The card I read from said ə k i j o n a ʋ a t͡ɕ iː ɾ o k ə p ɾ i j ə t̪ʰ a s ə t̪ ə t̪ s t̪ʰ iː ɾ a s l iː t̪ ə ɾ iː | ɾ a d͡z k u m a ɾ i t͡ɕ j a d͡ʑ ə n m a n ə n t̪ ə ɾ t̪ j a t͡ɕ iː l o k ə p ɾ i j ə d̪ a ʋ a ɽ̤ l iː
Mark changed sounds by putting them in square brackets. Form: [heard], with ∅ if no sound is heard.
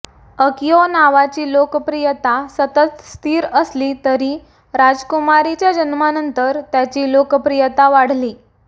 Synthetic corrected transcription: ə k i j o n a ʋ a t͡ɕ iː [l] o k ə p ɾ i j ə [t̪] a s ə t̪ ə t̪ s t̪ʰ iː ɾ [ə] s l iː t̪ ə ɾ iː | ɾ a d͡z k u m a ɾ i t͡ɕ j a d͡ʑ ə n m a n ə n t̪ ə ɾ t̪ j a t͡ɕ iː l o k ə p ɾ i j ə [t̪] a ʋ a ɽ̤ l iː